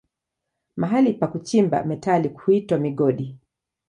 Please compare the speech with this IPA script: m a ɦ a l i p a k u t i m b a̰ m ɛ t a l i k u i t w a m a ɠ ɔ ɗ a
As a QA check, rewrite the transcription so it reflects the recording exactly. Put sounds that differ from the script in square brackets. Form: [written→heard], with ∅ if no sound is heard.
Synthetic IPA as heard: m a ɦ a l i p a k u [t→t͡ʃ] i m b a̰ m ɛ t a l i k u i t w a m [a→i] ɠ ɔ ɗ [a→i]